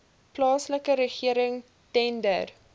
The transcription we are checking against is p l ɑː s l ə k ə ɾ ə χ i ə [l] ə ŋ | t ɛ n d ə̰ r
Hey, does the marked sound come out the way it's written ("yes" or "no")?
no